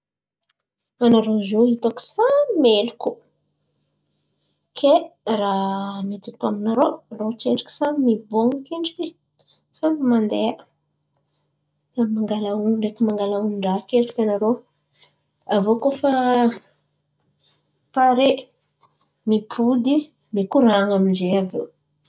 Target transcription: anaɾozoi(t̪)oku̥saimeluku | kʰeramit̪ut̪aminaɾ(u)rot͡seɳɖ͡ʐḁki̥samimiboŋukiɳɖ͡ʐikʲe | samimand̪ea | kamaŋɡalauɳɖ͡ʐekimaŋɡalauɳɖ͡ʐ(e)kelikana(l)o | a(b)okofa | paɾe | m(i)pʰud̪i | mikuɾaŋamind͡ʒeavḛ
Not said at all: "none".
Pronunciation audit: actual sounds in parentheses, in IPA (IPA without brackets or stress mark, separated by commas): t̪, o, a, ɾ, v, i